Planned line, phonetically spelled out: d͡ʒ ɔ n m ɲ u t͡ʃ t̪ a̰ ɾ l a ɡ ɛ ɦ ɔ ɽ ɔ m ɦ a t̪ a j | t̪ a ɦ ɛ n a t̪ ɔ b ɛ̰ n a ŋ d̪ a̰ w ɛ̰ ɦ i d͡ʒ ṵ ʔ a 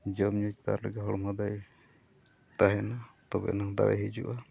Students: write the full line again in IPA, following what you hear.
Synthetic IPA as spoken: d͡ʒ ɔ m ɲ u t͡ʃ t̪ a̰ ɾ l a ɡ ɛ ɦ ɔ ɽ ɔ m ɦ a d̪ a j | t̪ a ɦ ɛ n a t̪ ɔ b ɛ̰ n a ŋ d̪ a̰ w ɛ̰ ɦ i d͡ʒ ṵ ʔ a